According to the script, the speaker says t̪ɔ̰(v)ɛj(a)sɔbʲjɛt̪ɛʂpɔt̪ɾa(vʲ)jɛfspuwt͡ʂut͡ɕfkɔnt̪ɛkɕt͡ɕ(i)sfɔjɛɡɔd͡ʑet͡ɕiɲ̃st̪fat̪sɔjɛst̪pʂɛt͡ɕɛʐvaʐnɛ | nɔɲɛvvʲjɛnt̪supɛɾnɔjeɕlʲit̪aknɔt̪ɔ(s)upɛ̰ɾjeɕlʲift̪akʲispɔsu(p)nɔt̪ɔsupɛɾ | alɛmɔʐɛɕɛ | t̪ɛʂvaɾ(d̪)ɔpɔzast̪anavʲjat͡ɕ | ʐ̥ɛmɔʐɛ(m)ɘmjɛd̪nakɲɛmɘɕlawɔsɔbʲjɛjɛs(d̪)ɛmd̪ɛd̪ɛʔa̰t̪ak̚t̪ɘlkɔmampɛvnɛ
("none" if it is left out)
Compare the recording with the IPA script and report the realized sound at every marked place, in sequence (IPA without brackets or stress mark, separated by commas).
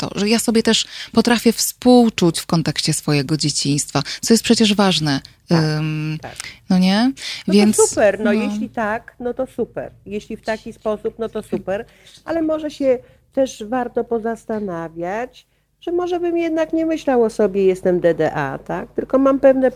ʐ, a, fʲ, ɛ, s, p, t̪, b, t̪